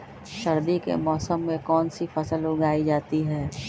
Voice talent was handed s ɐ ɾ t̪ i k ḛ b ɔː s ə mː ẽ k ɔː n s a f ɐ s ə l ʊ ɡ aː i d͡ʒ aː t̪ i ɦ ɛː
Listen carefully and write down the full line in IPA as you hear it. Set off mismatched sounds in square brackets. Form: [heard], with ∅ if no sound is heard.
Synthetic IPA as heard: [ʃ] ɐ ɾ [d̪] i k ḛ [m] ɔː s ə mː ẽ k ɔː n s [i] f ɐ s ə l ʊ ɡ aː i d͡ʒ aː t̪ i ɦ ɛː